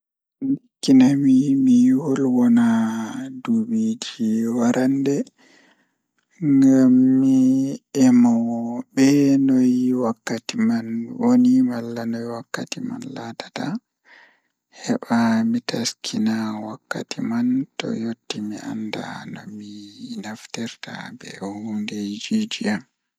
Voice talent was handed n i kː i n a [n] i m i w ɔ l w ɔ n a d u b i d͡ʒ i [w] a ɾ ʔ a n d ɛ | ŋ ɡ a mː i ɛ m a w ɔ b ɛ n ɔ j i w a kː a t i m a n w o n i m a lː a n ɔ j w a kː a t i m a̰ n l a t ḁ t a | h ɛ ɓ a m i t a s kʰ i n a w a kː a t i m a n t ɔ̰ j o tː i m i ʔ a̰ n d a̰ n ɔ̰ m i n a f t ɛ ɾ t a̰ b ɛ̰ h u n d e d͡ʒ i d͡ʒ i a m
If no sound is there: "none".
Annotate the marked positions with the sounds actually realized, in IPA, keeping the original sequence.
m, w

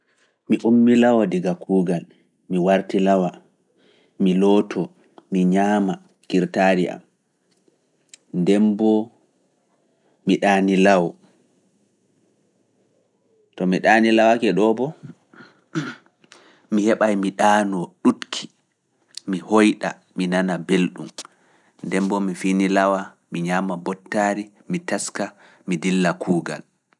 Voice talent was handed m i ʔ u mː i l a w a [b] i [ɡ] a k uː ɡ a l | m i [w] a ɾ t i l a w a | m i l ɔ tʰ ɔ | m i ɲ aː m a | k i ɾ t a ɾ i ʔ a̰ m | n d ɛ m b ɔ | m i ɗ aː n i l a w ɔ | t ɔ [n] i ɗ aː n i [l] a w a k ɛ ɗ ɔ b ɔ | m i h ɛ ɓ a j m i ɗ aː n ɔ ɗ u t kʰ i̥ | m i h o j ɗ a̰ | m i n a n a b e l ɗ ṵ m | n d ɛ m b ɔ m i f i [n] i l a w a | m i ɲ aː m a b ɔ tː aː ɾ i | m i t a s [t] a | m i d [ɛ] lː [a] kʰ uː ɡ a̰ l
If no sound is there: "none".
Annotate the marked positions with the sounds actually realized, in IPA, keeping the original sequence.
d, ɡ, w, m, l, n, k, i, a

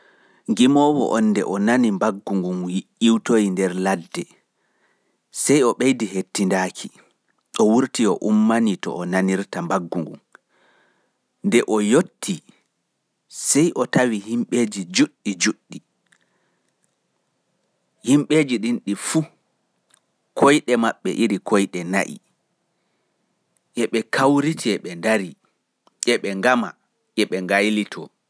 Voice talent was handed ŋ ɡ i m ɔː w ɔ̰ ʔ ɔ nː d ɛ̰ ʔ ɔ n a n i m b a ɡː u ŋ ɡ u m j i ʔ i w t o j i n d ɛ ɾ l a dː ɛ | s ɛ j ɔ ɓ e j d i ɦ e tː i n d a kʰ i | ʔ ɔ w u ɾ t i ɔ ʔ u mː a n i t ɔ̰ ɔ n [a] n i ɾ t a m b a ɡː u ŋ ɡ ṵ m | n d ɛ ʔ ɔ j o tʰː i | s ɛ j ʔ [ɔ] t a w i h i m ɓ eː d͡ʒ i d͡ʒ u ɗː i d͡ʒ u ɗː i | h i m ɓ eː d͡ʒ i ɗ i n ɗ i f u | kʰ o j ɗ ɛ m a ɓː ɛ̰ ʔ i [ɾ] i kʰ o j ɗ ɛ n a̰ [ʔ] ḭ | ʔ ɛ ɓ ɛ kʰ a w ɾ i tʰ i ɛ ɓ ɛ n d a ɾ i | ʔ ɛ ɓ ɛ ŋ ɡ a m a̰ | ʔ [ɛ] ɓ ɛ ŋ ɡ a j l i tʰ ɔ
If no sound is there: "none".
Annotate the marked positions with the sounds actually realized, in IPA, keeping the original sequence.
a, ɔ, ɾ, ʔ, ɛ

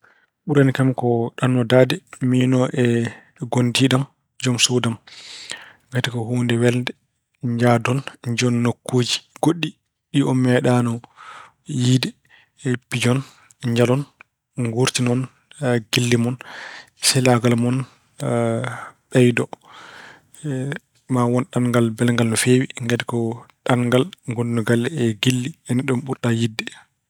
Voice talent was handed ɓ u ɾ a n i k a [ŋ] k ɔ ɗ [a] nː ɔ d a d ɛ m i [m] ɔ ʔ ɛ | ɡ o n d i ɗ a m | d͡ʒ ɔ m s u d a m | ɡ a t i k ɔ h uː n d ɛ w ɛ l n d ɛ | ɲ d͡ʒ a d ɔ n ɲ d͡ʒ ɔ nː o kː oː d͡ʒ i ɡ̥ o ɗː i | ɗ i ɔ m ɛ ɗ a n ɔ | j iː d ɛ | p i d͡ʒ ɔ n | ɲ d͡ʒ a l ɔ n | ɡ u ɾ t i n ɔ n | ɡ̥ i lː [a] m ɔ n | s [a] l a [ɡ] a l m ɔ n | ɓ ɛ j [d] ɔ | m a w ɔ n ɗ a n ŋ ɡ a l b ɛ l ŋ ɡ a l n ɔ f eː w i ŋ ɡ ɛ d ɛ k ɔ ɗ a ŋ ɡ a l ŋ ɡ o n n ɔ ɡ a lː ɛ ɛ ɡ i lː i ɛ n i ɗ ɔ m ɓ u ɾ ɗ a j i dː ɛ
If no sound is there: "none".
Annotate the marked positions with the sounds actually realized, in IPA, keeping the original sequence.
m, a, n, i, ɛ, ɡ, d

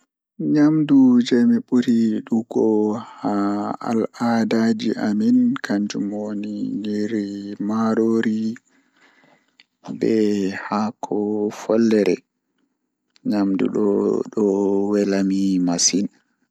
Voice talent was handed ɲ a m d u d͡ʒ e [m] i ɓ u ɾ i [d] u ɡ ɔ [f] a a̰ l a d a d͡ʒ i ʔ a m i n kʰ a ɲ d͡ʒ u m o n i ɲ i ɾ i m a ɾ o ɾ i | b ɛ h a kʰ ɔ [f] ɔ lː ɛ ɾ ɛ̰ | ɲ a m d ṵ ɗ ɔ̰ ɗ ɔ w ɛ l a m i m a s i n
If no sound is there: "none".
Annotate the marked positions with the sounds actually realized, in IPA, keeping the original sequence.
m, ɗ, h, f

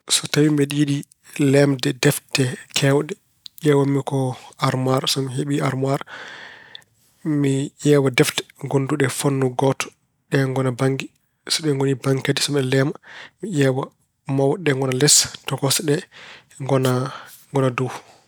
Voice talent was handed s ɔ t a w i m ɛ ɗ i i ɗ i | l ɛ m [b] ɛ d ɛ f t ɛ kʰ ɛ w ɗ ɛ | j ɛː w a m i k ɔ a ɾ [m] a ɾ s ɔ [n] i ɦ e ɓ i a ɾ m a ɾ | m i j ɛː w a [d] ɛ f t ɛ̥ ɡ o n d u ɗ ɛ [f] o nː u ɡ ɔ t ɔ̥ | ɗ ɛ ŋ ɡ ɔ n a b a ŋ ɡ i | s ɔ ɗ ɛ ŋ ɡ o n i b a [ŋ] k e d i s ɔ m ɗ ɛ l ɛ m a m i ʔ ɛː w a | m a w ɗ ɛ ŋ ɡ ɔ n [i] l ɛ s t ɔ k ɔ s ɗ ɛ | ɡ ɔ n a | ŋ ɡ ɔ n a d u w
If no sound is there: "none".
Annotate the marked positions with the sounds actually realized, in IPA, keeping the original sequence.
d, m, m, d, f, ŋ, a

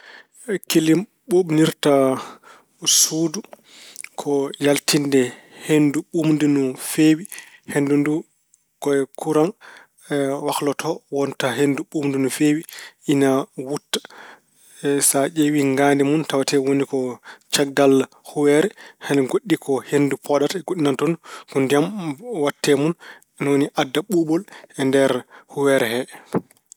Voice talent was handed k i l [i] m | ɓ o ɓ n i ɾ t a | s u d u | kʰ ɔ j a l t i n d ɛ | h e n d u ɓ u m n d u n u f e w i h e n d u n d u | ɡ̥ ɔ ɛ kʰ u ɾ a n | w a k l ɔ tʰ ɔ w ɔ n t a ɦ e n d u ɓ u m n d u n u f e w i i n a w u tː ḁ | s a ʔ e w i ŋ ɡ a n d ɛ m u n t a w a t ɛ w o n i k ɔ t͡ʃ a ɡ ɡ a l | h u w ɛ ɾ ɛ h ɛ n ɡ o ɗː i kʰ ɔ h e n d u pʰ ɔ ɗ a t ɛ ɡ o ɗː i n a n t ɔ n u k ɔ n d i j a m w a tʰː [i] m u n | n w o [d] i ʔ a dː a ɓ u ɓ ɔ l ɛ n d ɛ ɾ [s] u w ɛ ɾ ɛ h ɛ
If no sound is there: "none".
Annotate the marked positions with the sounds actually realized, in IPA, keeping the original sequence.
i, ɛ, n, h

